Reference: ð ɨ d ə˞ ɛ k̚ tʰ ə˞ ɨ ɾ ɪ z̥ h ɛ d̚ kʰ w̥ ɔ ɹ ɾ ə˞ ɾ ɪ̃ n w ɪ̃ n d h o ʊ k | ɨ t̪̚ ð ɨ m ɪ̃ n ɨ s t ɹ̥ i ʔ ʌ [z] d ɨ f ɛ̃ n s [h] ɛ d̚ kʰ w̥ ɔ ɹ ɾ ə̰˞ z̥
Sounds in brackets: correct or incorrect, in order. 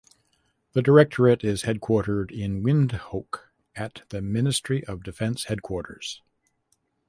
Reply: incorrect: v, correct

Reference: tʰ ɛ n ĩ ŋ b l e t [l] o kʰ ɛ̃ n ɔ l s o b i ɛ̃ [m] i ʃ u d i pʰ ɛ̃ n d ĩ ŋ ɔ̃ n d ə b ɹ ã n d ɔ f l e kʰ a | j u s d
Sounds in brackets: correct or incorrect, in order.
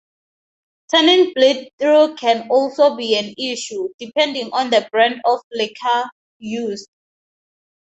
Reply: incorrect: ɹ, incorrect: n

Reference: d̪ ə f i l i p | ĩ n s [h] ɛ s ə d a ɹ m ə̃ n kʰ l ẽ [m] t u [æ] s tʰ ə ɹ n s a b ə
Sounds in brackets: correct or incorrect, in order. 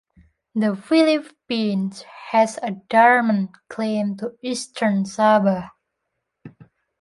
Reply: correct, correct, incorrect: i

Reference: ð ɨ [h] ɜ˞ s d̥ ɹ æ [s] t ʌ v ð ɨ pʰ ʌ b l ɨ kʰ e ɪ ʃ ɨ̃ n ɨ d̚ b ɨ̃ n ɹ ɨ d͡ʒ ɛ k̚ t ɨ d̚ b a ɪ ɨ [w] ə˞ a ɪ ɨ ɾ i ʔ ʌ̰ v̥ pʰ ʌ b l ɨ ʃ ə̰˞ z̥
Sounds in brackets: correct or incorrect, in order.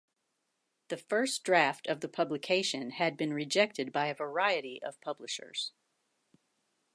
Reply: incorrect: f, incorrect: f, incorrect: v

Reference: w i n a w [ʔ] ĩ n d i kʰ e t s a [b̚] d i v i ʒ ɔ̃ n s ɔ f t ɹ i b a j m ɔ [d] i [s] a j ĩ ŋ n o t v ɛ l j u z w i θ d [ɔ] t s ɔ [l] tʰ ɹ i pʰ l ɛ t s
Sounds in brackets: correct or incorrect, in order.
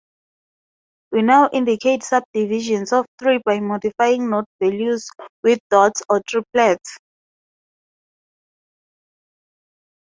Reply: correct, correct, correct, incorrect: f, correct, incorrect: none

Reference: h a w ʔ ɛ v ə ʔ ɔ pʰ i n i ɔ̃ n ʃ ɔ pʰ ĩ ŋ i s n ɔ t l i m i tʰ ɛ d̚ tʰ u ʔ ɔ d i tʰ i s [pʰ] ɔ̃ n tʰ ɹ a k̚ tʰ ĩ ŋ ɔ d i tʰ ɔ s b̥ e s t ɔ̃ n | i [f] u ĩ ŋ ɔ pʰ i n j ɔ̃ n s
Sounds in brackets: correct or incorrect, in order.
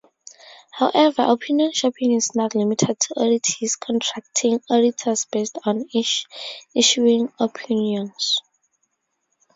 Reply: incorrect: kʰ, incorrect: ʃ

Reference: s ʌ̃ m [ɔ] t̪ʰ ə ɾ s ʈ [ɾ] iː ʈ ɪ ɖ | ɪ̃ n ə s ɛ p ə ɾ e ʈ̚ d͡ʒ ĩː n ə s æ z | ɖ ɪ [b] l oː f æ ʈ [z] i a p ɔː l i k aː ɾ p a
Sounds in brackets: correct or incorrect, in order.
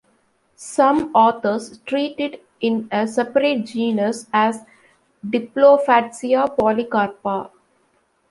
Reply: incorrect: ɔː, correct, incorrect: p, incorrect: s

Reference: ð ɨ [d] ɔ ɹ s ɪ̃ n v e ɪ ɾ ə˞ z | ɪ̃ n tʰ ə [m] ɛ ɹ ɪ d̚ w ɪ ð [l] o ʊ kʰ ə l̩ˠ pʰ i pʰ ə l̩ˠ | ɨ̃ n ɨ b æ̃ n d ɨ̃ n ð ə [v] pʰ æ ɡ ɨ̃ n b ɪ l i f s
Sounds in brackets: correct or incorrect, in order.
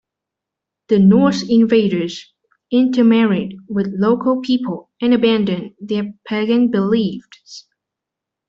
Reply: incorrect: n, correct, correct, incorrect: none

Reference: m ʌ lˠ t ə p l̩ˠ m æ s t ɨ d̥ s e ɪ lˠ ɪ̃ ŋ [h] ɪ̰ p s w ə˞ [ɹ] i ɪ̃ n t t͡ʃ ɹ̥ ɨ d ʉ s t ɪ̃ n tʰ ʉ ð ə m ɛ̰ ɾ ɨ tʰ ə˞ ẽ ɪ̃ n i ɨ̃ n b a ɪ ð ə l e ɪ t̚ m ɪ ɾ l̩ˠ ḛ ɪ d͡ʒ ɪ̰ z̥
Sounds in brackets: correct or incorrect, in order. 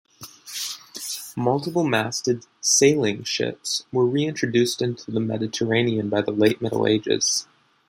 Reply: incorrect: ʃ, correct

